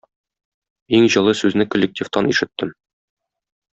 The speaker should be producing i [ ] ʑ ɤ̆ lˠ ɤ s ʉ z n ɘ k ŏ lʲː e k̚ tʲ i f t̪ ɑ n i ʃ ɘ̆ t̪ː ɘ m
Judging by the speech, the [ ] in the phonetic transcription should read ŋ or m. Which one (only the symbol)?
ŋ